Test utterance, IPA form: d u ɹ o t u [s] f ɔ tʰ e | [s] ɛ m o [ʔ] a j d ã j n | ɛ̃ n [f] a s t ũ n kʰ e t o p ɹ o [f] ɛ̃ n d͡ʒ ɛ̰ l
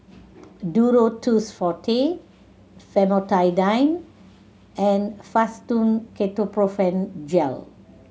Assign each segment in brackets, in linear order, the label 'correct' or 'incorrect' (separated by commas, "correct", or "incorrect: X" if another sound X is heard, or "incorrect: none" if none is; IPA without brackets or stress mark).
correct, incorrect: f, incorrect: t, correct, correct